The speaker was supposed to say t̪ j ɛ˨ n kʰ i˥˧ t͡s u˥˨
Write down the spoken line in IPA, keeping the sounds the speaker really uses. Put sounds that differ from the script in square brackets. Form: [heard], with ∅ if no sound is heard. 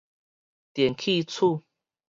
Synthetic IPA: t̪ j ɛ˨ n kʰ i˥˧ [t͡sʰ] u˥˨